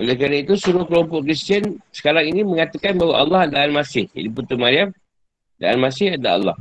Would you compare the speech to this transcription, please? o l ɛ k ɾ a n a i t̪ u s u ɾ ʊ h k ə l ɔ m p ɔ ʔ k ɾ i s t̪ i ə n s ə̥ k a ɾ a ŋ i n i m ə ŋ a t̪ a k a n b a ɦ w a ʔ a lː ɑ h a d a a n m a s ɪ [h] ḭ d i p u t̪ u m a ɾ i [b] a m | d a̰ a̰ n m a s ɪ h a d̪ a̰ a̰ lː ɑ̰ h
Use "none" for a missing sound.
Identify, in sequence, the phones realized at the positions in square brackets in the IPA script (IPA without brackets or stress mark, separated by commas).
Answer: h, none